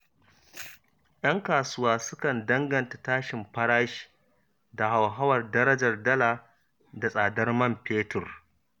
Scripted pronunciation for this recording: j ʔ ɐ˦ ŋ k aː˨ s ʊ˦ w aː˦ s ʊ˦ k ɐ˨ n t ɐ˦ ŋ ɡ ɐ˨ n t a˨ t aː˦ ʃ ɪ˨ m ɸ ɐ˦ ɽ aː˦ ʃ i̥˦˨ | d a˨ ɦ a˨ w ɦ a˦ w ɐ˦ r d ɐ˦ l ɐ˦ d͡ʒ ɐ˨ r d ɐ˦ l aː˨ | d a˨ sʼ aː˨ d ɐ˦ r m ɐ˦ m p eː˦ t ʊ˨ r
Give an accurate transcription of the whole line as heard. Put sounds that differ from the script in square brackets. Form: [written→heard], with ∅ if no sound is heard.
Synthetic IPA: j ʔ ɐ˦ ŋ k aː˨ s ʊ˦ w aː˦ s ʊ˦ k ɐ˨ n [t→d] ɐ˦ ŋ ɡ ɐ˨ n t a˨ t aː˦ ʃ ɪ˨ m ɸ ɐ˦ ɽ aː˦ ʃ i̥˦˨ | d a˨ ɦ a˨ w ɦ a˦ w [ɐ˦→ɐ˨] r d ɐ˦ [l→ɾ] ɐ˦ d͡ʒ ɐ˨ r d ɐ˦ l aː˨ | d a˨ sʼ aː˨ d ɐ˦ r m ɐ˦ m p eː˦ t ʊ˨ r